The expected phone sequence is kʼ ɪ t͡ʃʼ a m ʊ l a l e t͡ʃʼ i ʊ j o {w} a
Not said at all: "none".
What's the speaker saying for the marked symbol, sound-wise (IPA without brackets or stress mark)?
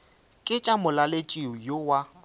w